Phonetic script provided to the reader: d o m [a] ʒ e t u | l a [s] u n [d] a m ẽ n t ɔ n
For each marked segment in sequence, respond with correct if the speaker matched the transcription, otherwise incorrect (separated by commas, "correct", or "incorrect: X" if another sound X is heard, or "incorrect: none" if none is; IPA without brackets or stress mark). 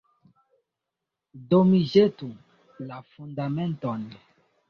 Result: incorrect: i, incorrect: f, correct